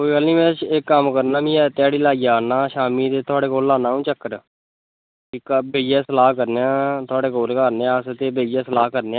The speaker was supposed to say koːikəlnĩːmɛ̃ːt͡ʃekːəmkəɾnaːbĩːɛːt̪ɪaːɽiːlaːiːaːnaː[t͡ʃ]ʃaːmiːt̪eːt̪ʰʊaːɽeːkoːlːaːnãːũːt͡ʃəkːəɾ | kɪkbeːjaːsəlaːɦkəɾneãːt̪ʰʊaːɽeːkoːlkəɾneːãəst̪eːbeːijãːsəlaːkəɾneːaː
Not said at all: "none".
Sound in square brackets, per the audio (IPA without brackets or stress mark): none